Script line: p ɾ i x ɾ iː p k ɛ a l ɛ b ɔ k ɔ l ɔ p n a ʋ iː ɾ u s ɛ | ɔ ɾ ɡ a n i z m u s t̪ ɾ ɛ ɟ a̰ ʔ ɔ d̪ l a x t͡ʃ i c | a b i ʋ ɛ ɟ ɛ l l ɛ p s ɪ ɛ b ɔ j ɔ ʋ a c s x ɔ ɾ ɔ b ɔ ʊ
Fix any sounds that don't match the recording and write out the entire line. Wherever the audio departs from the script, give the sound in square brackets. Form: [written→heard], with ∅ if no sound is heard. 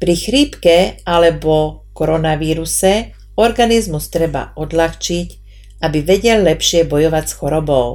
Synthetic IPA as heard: p ɾ i x ɾ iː p k ɛ a l ɛ b ɔ k ɔ [l→ɾ] ɔ [p→∅] n a ʋ iː ɾ u s ɛ | ɔ ɾ ɡ a n i z m u s t̪ ɾ ɛ [ɟ→b] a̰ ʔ ɔ d̪ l a x t͡ʃ i c | a b i ʋ ɛ ɟ ɛ l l ɛ p [s→ʃ] ɪ ɛ b ɔ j ɔ ʋ a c s x ɔ ɾ ɔ b ɔ ʊ